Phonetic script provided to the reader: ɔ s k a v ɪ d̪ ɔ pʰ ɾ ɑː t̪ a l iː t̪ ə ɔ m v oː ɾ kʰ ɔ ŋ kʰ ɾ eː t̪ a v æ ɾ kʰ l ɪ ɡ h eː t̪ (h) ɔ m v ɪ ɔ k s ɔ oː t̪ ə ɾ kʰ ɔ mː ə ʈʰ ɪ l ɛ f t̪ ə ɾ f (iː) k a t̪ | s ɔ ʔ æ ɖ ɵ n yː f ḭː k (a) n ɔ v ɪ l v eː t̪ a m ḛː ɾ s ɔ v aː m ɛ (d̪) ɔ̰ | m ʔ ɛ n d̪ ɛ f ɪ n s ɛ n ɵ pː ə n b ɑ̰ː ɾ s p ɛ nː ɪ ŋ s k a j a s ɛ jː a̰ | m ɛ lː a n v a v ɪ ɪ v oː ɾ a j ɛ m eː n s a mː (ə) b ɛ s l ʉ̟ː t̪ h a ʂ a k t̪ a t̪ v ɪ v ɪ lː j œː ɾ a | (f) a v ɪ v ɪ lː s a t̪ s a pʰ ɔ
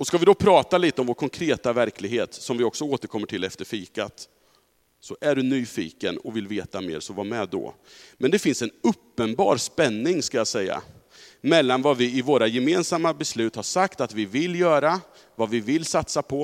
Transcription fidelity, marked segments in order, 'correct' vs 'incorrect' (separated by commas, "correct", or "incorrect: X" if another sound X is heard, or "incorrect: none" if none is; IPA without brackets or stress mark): incorrect: s, correct, incorrect: ə, correct, incorrect: a, incorrect: v